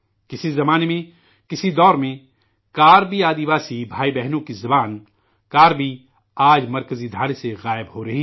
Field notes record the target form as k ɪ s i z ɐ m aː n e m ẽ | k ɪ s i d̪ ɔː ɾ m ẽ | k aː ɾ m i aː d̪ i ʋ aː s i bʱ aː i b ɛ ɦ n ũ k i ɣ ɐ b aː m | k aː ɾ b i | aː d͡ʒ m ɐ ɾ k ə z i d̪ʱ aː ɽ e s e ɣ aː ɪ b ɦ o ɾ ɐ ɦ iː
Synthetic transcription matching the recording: k ɪ s i z ɐ m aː n e m ẽ | k ɪ s i d̪ ɔː ɾ m ẽ | k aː ɾ b i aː d̪ i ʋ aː s i bʱ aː i b ɛ ɦ n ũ k i z ɐ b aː n | k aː ɾ b i | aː d͡ʒ m ɐ ɾ k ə z i d̪ʱ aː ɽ e s e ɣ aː ɪ b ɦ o ɾ ɐ ɦ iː